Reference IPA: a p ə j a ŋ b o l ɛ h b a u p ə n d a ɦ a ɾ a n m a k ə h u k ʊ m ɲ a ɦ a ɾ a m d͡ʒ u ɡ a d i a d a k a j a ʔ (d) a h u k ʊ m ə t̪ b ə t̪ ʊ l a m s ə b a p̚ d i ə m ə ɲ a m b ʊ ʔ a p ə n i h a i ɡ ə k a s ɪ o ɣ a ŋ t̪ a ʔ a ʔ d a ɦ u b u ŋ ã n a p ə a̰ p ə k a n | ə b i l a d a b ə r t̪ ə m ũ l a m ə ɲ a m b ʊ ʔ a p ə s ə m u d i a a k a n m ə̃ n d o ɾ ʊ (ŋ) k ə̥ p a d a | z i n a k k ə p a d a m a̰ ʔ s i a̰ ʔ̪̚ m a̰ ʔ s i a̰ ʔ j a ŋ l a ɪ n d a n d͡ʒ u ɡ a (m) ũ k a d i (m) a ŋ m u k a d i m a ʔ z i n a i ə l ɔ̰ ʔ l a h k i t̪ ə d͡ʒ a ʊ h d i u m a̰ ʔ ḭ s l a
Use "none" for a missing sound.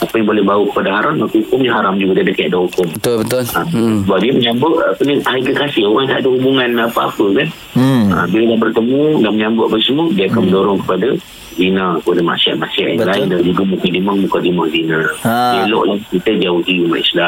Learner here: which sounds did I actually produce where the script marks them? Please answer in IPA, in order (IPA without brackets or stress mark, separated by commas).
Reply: d, ŋ, m, m